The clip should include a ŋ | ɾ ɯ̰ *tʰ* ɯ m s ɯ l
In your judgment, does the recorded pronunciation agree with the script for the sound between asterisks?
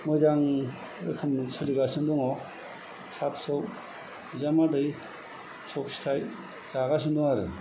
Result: no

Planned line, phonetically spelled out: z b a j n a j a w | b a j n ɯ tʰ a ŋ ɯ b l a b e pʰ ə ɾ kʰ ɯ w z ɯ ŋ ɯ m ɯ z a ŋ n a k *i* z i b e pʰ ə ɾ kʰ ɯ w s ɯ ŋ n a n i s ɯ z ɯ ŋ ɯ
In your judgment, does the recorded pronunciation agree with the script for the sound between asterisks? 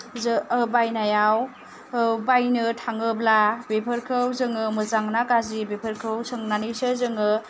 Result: no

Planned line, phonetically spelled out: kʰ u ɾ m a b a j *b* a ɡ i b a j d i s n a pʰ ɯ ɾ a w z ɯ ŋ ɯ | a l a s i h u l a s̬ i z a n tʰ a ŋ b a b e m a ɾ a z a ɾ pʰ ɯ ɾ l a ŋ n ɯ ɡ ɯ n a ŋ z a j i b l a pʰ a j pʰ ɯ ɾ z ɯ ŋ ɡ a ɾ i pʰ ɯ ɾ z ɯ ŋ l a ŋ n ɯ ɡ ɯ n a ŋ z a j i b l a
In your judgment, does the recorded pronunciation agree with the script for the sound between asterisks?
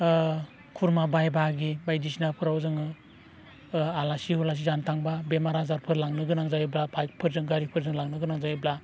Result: yes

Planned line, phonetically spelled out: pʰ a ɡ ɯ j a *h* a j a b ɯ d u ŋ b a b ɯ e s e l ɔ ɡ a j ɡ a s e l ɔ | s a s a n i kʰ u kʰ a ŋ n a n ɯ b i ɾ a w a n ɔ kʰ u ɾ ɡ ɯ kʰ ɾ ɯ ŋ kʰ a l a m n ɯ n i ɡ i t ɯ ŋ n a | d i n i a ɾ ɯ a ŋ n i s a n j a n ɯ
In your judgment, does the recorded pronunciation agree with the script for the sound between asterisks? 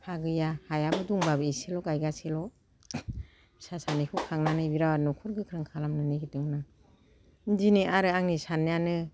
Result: yes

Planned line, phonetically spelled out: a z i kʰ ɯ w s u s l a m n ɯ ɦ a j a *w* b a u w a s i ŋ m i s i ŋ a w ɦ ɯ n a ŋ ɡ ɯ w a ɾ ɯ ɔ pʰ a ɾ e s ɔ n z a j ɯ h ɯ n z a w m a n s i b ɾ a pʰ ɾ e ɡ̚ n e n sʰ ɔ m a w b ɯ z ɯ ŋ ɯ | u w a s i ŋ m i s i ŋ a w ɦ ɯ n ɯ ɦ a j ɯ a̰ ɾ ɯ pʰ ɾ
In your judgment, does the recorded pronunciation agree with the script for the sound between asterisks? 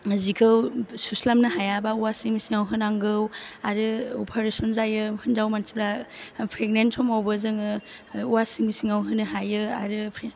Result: no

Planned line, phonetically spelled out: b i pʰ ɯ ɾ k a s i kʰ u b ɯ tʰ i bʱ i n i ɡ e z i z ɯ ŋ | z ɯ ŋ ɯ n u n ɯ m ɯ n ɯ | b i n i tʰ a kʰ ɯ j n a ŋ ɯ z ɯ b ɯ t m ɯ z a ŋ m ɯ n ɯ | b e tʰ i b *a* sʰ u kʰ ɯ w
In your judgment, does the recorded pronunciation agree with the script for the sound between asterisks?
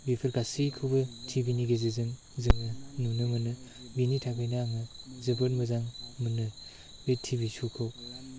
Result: no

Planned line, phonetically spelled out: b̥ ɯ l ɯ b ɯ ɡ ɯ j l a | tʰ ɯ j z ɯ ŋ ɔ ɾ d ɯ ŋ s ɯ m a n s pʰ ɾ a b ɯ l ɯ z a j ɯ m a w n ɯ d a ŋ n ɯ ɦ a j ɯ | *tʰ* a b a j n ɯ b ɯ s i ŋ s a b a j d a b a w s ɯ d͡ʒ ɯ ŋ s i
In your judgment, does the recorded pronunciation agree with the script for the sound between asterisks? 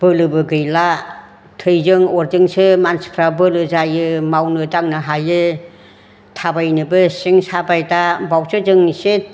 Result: yes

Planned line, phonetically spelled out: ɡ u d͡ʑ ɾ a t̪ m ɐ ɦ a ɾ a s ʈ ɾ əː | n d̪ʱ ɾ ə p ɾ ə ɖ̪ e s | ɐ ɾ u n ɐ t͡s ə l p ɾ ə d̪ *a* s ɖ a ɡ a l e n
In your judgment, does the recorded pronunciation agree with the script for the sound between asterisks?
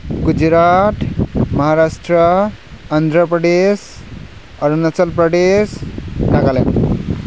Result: no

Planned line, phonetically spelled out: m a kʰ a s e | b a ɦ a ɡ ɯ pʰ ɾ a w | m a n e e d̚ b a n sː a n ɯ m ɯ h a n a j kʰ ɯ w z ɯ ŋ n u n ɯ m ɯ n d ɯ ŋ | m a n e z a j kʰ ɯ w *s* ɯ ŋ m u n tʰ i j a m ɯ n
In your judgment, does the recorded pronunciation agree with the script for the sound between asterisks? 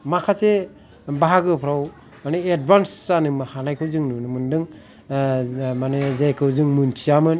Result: no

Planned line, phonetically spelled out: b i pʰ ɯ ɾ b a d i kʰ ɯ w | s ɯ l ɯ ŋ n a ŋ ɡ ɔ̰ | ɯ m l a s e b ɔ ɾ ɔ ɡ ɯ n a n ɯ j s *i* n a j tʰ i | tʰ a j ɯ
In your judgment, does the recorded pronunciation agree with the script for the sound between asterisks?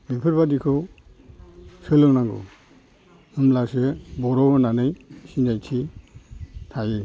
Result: yes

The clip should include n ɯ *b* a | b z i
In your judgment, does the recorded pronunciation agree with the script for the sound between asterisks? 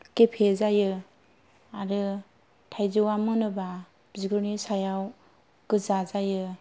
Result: yes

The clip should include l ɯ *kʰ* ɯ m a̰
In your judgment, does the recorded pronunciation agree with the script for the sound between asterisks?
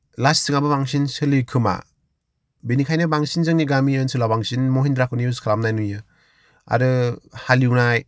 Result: yes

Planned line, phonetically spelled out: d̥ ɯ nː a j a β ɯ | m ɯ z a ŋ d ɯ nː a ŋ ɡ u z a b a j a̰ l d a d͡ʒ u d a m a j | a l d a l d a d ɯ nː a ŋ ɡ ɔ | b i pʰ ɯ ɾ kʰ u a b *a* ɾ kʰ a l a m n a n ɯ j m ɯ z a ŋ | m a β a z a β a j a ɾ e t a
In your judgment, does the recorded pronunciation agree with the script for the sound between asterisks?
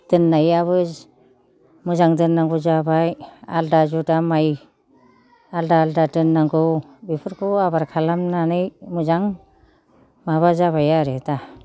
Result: yes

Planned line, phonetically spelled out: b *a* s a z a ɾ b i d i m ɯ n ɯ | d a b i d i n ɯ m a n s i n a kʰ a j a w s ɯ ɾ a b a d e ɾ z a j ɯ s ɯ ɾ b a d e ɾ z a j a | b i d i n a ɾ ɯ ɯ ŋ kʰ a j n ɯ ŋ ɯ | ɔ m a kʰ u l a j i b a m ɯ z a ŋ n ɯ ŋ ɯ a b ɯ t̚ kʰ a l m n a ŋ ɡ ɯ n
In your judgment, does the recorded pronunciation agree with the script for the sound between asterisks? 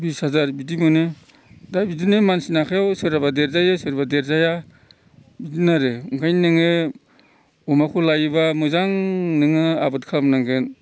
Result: no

